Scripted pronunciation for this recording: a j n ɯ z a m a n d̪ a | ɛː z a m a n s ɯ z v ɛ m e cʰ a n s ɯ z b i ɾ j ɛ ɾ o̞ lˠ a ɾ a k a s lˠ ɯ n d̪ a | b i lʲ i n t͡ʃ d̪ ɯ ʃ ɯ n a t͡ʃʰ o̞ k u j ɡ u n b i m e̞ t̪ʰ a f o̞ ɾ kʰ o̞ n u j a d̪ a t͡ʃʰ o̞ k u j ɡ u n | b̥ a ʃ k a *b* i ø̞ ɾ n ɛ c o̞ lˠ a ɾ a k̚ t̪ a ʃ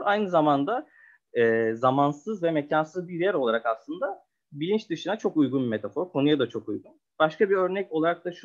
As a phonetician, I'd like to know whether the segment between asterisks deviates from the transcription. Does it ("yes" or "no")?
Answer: no